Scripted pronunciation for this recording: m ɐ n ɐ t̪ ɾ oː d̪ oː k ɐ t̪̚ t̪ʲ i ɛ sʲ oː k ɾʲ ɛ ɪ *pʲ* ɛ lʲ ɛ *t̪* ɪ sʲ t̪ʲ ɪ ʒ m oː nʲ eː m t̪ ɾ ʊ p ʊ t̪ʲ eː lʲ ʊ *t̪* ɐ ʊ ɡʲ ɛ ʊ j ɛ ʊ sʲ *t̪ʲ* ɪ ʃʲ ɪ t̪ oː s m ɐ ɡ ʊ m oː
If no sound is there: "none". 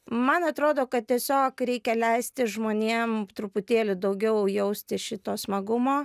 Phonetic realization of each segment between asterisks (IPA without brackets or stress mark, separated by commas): kʲ, none, d̪, t̪ʲ